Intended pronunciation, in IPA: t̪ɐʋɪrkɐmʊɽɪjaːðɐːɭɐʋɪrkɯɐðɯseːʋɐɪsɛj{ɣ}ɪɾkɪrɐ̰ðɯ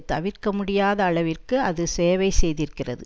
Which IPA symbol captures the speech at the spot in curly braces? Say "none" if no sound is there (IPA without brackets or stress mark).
ð